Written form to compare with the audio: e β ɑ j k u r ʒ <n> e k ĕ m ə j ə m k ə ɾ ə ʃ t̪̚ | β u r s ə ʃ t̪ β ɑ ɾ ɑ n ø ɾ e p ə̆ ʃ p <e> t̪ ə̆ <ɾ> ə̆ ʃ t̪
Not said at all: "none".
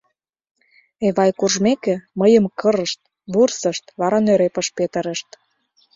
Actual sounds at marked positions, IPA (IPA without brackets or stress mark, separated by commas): m, e, ɾ